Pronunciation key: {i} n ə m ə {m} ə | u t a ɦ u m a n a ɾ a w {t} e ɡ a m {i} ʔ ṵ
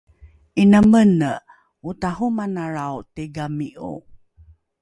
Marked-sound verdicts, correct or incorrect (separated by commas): correct, incorrect, correct, correct